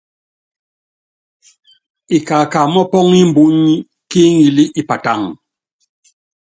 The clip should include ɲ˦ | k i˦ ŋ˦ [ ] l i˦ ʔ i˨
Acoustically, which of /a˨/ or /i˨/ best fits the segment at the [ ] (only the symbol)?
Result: i˨